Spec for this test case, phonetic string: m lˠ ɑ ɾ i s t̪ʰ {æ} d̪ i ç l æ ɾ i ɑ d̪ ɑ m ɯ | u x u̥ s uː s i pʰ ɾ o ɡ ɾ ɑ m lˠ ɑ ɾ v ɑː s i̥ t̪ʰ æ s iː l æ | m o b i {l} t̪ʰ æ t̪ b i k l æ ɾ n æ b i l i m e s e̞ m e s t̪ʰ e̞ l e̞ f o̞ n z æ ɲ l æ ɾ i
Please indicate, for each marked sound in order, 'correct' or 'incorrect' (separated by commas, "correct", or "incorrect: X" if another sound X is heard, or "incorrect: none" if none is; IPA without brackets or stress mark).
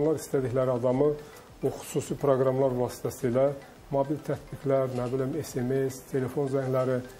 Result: correct, correct